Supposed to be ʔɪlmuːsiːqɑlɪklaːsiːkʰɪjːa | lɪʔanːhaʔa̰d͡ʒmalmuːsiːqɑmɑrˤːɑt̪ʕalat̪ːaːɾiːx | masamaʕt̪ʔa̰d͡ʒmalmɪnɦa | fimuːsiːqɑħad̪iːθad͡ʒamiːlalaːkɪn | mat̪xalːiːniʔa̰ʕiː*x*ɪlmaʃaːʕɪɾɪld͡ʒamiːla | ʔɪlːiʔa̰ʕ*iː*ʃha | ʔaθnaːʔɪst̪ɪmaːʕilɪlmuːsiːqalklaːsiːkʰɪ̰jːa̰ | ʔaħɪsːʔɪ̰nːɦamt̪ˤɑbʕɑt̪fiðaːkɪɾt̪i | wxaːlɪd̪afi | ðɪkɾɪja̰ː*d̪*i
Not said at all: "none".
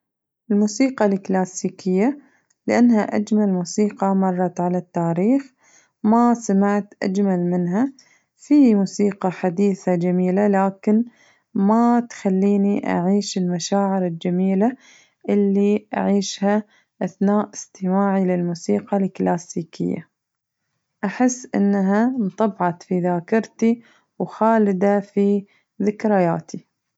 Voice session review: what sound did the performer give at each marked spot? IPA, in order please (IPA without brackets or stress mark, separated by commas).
ʃ, iː, t̪